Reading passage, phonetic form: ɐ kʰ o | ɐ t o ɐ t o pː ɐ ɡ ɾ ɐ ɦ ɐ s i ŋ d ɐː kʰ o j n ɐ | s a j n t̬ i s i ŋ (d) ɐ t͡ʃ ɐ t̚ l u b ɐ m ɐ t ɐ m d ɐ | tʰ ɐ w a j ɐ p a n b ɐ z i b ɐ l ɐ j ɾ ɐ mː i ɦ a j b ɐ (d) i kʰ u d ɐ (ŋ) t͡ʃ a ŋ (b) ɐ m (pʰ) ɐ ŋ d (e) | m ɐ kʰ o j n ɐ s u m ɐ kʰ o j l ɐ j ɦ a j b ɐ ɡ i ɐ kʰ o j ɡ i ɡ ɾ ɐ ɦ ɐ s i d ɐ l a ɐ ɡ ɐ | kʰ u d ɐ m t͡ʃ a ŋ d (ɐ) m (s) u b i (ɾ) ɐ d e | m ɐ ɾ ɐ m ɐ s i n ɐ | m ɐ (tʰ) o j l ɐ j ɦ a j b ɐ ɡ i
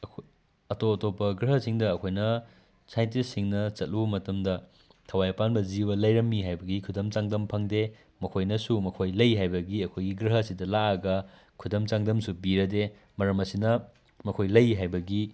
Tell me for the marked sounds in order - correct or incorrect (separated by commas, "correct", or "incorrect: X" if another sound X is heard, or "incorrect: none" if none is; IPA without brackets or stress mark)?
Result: incorrect: n, incorrect: ɡ, incorrect: m, incorrect: d, correct, correct, correct, correct, correct, incorrect: kʰ